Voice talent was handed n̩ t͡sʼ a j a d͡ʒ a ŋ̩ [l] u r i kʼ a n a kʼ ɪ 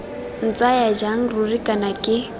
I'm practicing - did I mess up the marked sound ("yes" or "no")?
yes